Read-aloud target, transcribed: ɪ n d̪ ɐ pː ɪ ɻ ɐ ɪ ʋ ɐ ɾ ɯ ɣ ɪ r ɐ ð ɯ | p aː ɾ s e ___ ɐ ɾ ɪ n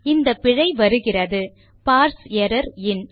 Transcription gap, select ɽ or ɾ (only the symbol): ɾ